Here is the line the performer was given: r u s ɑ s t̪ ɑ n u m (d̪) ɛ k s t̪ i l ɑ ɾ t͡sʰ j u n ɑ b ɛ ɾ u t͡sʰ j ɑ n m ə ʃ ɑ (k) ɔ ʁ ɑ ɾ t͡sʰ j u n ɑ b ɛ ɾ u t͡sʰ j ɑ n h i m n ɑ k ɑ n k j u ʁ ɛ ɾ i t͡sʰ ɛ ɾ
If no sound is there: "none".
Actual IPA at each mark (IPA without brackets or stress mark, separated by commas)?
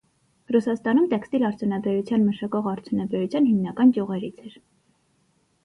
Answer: t̪, k